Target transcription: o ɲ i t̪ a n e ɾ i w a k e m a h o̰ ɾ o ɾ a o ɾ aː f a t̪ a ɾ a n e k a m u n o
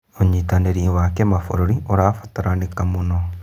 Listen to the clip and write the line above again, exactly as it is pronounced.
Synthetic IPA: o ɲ i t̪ a n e ɾ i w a k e m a f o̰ ɾ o ɾ i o ɾ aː f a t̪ a ɾ a n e k a m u n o